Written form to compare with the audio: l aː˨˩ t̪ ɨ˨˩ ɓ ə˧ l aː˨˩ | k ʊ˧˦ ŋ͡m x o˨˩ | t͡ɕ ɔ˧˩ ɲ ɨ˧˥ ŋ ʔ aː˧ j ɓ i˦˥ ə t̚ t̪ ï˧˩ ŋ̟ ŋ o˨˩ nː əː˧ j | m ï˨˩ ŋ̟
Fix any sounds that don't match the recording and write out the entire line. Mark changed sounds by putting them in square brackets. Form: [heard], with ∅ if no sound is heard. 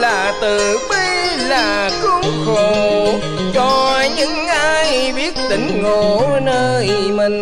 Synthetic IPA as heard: l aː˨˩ t̪ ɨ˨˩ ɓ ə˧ l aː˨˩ | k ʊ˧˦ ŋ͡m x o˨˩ | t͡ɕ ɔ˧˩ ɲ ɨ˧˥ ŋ ʔ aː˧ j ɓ i˦˥ ə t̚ t̪ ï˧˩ ŋ̟ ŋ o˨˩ [n] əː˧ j | m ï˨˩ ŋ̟